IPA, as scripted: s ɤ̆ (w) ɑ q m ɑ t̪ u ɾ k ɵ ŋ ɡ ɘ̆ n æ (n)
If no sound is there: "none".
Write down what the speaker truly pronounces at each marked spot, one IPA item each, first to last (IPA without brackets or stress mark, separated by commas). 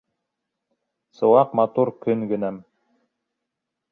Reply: w, m